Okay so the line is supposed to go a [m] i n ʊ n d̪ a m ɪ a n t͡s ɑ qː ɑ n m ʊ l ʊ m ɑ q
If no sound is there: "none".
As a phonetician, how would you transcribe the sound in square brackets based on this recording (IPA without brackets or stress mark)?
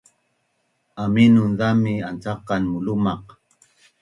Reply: m